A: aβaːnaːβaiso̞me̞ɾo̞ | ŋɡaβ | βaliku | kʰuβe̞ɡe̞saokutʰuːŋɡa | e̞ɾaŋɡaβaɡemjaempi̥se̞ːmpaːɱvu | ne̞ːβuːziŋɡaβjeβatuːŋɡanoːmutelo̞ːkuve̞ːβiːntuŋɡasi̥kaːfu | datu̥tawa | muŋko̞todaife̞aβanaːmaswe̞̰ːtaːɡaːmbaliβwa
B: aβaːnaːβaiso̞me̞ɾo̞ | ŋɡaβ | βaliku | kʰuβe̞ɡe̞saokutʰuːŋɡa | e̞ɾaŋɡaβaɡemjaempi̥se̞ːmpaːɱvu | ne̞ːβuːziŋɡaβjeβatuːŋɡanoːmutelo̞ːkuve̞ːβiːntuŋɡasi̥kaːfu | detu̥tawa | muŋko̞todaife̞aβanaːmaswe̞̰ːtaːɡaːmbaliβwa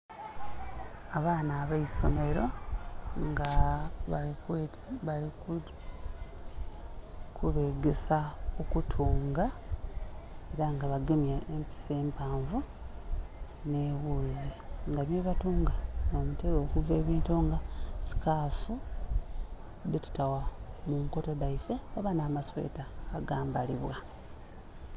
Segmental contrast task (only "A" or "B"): B